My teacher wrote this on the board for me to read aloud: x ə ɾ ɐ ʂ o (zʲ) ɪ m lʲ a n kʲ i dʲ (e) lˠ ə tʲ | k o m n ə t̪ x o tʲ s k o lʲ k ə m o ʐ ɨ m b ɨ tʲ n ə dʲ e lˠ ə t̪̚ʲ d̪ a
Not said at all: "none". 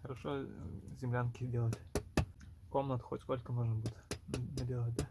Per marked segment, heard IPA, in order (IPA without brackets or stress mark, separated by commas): zʲ, e